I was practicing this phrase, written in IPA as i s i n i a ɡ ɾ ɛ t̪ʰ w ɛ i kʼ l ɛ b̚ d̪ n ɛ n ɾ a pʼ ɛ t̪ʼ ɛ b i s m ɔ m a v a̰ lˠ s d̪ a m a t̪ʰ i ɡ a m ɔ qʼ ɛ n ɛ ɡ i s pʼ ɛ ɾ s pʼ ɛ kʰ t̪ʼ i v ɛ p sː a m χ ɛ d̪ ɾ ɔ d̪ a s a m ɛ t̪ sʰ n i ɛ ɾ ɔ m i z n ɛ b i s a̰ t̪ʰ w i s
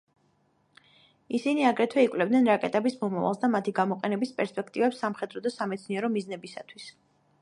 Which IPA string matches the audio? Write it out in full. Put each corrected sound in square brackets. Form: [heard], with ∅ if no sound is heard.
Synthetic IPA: i s i n i a ɡ ɾ ɛ t̪ʰ w ɛ i kʼ l ɛ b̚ d̪ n ɛ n ɾ a [kʼ] ɛ t̪ʼ ɛ b i s m ɔ m a v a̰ lˠ s d̪ a m a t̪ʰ i ɡ a m ɔ qʼ ɛ n ɛ [b] i s pʼ ɛ ɾ s pʼ ɛ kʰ t̪ʼ i v ɛ p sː a m χ ɛ d̪ ɾ ɔ d̪ a s a m ɛ t̪ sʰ n i ɛ ɾ ɔ m i z n ɛ b i s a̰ t̪ʰ w i s